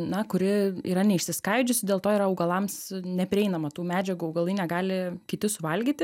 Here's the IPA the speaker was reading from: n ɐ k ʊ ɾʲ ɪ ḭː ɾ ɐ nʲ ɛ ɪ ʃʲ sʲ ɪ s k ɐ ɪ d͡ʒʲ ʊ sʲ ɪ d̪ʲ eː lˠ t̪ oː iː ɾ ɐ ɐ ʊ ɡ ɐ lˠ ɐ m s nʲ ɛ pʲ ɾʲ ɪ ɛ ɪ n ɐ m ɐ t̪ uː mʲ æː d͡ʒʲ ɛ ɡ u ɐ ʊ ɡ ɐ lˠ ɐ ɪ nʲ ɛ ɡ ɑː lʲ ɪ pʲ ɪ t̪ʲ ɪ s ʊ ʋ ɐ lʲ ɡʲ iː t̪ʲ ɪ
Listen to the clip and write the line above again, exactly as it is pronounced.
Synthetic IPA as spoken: n ɐ k ʊ ɾʲ ɪ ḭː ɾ ɐ nʲ ɛ ɪ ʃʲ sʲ ɪ s k ɐ ɪ d͡ʒʲ ʊ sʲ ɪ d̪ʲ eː lˠ t̪ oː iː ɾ ɐ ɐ ʊ ɡ ɐ lˠ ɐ m s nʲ ɛ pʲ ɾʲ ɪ ɛ ɪ n ɐ m ɐ t̪ uː mʲ æː d͡ʒʲ ɛ ɡ u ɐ ʊ ɡ ɐ lˠ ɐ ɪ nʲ ɛ ɡ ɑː lʲ ɪ kʲ ɪ t̪ʲ ɪ s ʊ ʋ ɐ lʲ ɡʲ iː t̪ʲ ɪ